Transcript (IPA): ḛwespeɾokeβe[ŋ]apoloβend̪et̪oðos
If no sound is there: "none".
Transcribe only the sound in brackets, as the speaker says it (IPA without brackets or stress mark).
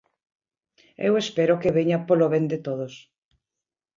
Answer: ɲ